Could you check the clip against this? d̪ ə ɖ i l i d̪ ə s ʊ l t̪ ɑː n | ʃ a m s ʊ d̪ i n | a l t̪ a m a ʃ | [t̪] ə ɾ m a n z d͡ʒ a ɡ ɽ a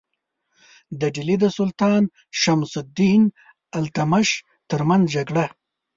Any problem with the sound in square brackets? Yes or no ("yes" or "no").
no